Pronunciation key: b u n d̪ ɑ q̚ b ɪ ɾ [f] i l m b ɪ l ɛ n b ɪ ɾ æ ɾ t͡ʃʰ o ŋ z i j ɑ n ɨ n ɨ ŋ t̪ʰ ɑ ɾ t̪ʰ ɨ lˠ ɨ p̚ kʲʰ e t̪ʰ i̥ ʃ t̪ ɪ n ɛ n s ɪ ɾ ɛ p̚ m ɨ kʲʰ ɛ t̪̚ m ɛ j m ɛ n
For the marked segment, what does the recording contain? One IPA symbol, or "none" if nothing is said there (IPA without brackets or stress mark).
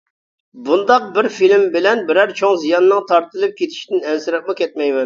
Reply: f